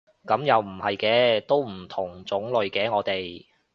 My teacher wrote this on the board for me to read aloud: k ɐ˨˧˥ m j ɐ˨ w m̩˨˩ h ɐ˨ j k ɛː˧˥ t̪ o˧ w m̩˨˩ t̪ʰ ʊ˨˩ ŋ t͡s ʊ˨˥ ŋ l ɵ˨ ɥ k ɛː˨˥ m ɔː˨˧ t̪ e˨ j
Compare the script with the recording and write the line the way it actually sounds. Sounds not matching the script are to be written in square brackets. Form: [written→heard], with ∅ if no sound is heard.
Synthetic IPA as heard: k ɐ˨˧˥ m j ɐ˨ w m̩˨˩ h ɐ˨ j k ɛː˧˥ t̪ [o˧→o˥] w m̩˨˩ t̪ʰ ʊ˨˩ ŋ t͡s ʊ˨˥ ŋ l ɵ˨ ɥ k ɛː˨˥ [m→ŋ] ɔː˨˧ t̪ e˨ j